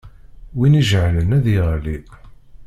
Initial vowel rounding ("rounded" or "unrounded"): unrounded